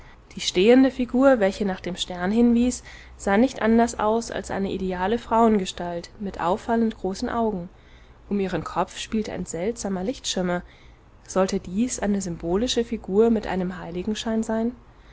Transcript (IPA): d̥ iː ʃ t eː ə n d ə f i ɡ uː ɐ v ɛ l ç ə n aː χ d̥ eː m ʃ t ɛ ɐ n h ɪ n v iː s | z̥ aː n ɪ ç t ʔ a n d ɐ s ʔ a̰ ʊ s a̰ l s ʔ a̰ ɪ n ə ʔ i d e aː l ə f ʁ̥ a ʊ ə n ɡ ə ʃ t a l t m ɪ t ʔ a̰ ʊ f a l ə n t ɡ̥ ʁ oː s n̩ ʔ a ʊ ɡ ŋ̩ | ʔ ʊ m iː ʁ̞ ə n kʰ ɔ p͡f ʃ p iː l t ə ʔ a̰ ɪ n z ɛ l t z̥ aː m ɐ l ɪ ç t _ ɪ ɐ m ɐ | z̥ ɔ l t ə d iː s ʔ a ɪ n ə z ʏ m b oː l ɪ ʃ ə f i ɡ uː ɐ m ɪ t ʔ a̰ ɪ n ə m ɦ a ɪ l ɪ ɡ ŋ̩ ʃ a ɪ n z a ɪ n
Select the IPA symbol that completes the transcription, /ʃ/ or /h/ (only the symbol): ʃ